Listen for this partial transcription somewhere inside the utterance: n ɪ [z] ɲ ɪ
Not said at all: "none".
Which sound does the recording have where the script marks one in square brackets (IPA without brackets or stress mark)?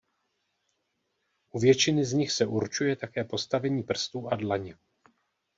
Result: z